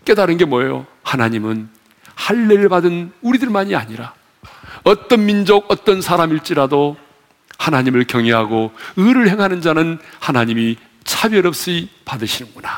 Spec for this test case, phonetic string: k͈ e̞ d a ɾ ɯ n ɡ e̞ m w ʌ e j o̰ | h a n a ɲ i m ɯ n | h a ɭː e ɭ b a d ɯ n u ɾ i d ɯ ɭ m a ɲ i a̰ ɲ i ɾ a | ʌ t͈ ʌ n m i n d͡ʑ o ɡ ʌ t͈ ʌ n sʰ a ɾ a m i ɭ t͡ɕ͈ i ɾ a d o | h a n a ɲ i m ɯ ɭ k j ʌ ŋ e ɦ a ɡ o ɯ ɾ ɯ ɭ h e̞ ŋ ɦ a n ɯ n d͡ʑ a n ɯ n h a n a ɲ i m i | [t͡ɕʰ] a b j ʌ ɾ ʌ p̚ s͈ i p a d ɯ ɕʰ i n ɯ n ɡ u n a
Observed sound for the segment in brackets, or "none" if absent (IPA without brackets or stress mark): t͡ɕʰ